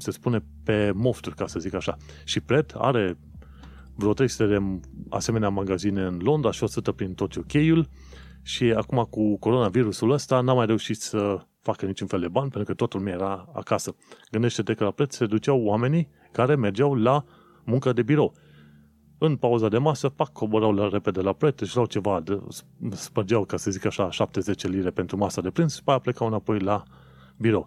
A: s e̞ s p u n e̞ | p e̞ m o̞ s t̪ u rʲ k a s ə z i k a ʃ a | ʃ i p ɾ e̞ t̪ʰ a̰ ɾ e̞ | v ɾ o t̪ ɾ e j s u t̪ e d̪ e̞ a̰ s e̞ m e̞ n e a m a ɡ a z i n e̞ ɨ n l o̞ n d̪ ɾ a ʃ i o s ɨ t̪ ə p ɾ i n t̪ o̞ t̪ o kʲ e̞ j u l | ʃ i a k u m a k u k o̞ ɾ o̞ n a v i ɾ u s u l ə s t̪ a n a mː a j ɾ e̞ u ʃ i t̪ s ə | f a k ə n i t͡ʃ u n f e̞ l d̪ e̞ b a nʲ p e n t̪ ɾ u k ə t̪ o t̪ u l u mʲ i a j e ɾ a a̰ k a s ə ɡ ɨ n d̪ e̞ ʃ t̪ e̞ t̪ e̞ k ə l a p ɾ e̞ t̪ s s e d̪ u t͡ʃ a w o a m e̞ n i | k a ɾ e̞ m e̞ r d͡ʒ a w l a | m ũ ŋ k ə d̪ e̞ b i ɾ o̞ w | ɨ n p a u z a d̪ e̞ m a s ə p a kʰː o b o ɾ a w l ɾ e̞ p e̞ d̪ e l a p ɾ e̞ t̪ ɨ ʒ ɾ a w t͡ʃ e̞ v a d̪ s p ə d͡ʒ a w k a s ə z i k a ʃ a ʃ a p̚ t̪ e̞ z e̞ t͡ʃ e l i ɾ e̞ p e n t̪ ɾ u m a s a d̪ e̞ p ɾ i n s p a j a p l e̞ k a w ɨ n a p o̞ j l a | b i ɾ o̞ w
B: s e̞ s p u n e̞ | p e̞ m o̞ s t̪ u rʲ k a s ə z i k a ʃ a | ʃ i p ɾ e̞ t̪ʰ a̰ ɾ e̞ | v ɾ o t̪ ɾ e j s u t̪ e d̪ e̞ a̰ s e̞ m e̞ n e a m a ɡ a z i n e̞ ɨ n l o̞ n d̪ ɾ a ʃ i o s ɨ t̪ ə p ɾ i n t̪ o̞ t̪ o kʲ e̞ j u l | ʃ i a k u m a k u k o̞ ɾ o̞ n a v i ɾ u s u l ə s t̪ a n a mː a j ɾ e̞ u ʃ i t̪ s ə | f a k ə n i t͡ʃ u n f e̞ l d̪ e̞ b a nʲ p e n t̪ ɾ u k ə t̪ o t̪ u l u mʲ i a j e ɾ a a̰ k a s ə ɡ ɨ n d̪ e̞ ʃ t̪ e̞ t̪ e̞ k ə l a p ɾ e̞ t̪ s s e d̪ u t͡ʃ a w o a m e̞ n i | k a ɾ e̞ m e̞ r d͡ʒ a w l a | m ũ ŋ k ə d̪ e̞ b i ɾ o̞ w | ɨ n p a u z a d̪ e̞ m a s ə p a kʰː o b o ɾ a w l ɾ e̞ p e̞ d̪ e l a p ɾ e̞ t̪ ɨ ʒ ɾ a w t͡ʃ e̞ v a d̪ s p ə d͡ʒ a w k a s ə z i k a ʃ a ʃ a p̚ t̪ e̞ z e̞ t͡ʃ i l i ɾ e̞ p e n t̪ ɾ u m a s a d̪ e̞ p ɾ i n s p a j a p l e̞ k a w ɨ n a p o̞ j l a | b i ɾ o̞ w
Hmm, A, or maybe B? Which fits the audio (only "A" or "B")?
A